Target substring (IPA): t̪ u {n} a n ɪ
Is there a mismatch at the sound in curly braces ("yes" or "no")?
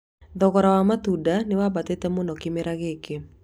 yes